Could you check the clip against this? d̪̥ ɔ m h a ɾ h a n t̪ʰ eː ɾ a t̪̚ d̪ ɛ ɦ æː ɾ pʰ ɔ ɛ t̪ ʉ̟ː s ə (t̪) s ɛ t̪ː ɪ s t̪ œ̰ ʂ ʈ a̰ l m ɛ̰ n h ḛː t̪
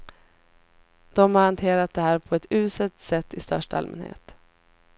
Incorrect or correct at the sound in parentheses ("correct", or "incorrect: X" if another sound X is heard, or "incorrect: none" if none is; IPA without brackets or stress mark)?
correct